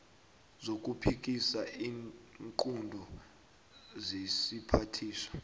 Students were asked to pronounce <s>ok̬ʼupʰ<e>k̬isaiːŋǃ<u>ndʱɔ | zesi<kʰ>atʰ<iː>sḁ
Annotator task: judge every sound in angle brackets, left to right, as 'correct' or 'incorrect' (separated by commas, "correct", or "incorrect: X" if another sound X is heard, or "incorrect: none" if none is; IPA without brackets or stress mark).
incorrect: z, incorrect: i, correct, incorrect: pʰ, correct